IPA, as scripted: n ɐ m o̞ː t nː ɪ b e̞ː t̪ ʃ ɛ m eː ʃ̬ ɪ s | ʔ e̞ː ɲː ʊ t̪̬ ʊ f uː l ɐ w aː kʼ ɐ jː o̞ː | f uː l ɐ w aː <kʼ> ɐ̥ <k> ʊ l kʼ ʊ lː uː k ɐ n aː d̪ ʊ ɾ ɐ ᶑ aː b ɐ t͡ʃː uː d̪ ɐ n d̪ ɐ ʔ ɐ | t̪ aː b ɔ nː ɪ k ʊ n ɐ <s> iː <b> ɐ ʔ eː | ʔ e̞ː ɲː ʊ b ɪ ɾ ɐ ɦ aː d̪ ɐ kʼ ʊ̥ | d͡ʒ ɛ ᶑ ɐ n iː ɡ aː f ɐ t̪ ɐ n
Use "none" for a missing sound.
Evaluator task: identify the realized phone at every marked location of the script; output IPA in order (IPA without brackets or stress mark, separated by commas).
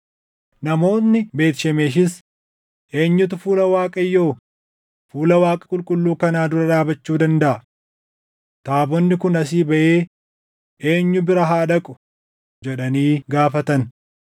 kʼ, kʼ, s, b